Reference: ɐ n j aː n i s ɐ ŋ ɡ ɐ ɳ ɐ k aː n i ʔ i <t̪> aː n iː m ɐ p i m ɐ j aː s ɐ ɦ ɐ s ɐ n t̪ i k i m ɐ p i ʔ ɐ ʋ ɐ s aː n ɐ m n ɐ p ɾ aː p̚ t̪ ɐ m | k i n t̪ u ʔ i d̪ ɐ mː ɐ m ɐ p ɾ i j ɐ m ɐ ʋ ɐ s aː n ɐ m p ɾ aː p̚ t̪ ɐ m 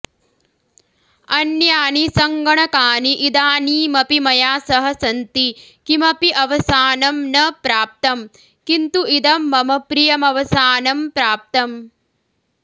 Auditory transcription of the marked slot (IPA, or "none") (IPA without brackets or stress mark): d̪